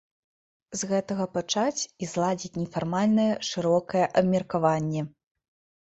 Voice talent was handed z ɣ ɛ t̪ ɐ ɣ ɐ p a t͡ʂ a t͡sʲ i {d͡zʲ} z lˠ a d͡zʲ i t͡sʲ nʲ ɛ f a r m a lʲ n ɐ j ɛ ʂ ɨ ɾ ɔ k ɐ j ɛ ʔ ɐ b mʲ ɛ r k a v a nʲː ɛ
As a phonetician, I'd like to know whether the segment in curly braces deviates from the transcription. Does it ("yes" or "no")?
yes